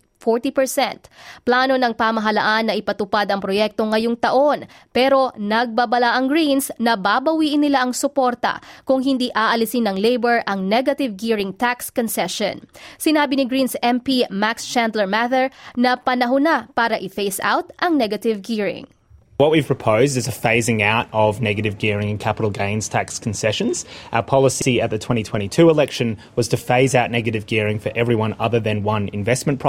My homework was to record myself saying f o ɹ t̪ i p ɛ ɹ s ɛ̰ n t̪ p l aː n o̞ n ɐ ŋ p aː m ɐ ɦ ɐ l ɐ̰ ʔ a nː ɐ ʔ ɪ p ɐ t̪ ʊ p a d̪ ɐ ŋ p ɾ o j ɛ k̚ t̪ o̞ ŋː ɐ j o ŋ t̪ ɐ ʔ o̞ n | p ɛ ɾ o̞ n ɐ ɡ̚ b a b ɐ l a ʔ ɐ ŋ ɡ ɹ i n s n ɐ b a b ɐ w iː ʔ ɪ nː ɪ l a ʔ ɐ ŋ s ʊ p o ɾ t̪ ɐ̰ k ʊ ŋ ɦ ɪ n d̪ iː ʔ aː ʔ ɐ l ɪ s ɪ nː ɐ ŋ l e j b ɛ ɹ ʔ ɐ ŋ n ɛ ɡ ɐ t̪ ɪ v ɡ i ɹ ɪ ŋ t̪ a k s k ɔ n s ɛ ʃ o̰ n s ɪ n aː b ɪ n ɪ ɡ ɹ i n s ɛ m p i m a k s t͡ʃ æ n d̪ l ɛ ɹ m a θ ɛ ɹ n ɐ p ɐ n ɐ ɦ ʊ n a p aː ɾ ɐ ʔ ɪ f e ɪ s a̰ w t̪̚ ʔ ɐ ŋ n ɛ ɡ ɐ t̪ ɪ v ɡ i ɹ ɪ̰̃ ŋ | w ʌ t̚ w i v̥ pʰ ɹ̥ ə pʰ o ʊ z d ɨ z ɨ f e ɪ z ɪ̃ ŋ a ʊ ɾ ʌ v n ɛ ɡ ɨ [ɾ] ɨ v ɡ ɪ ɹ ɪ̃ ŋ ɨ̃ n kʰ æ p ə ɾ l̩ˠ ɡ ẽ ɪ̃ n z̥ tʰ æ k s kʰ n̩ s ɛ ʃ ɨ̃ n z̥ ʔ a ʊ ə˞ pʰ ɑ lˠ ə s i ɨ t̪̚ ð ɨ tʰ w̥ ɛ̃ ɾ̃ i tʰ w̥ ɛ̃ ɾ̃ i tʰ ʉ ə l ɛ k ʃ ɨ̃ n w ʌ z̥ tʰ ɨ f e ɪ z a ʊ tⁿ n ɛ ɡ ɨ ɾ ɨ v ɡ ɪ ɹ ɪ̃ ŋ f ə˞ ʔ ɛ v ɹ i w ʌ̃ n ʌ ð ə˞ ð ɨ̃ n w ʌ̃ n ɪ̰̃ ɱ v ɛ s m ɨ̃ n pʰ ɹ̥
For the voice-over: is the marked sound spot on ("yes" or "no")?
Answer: yes